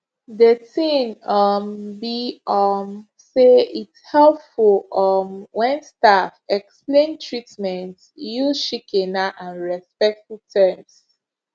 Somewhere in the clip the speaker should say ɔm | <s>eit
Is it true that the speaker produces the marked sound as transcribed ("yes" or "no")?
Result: yes